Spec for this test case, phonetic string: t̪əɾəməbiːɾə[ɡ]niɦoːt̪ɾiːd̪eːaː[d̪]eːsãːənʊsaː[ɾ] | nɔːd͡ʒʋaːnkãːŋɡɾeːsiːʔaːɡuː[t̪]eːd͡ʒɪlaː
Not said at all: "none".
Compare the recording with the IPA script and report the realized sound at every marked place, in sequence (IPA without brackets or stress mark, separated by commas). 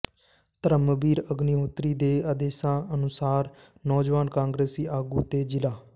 ɡ, d̪, ɾ, t̪